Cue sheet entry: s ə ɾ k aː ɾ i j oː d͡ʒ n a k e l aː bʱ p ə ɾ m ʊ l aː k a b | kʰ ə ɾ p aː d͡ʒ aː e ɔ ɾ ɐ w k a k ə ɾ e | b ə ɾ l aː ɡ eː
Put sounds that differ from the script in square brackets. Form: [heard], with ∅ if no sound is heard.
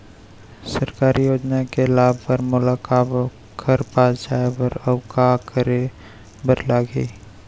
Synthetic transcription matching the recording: s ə ɾ k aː ɾ i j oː d͡ʒ n a k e l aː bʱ p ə ɾ m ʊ l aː k a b | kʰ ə ɾ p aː d͡ʒ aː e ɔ ɾ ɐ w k a k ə ɾ e | b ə ɾ l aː ɡ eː